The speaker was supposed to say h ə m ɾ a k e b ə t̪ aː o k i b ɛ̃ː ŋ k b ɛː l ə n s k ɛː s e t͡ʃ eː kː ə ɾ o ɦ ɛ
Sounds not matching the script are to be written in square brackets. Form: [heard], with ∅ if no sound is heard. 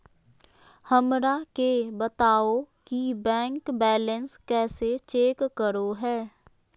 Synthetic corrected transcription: h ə m ɾ a k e b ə t̪ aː o k i b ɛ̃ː ŋ k b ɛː l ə n s k ɛː s e t͡ʃ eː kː ə ɾ o ɦ [ɛː]